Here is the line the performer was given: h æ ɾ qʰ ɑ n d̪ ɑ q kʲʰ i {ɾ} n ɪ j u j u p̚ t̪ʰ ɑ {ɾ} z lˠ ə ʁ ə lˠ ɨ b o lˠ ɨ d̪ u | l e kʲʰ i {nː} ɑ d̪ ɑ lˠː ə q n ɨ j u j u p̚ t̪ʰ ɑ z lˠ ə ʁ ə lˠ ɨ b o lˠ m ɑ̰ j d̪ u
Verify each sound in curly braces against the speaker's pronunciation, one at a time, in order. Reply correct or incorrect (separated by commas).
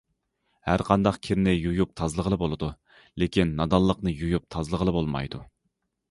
correct, incorrect, correct